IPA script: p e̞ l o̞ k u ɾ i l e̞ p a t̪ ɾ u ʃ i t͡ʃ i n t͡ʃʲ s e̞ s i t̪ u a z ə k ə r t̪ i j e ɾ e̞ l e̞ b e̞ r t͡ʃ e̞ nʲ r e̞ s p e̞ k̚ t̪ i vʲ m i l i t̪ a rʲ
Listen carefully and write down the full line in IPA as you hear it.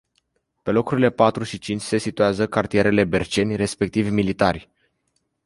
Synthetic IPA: p e̞ l o̞ k u ɾ i l e̞ p a t̪ ɾ u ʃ i t͡ʃ i n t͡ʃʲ s e̞ s i t̪ u a z ə k a r t̪ i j e ɾ e̞ l e̞ b e̞ r t͡ʃ e̞ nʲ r e̞ s p e̞ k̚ t̪ i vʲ m i l i t̪ a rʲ